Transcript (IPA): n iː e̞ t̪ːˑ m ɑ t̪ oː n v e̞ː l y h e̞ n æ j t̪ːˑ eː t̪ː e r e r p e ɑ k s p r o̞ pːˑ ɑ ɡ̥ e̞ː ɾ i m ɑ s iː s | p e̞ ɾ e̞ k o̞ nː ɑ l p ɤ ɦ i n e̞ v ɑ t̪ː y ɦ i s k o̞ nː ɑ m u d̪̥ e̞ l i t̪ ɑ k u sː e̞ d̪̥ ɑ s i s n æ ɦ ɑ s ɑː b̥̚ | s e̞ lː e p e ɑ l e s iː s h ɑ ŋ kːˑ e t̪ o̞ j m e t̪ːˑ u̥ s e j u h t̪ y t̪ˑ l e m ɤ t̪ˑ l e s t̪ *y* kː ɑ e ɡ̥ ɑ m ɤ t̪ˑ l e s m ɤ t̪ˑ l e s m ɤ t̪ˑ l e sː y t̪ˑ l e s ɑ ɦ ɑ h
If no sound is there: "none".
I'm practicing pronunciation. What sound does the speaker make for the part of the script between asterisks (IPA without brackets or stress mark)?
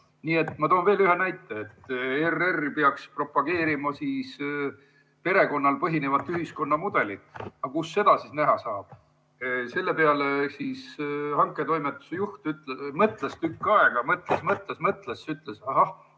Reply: y